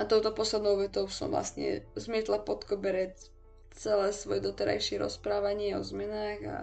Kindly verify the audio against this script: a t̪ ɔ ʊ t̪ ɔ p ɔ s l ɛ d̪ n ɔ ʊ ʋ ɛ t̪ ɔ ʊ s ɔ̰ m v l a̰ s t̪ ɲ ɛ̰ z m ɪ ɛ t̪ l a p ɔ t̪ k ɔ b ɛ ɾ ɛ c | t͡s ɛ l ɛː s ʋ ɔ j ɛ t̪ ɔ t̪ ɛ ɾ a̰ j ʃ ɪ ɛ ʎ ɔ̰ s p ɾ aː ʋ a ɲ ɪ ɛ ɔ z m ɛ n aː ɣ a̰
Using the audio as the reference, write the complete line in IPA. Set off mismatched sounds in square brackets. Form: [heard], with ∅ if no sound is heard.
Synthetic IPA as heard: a t̪ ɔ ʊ t̪ ɔ p ɔ s l ɛ d̪ n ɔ ʊ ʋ ɛ t̪ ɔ ʊ s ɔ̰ m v l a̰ s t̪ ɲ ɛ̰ z m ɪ ɛ t̪ l a p ɔ t̪ k ɔ b ɛ ɾ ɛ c | t͡s ɛ l ɛː s ʋ ɔ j ɛ [d̪] ɔ t̪ ɛ ɾ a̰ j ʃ ɪ ɛ [ɾ] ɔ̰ s p ɾ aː ʋ a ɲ ɪ ɛ ɔ z m ɛ n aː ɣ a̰